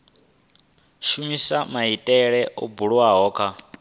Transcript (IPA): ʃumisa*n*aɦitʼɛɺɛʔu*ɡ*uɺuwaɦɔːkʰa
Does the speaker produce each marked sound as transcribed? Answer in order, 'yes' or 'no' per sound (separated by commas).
no, no